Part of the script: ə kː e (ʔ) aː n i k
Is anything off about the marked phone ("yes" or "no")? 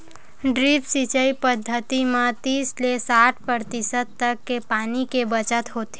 yes